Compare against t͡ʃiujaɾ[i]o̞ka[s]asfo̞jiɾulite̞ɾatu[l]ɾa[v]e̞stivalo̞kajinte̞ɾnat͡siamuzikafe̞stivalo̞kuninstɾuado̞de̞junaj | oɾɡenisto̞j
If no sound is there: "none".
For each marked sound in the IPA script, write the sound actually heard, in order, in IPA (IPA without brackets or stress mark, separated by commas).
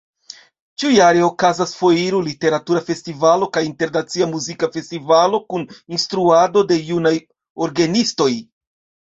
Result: e, z, none, f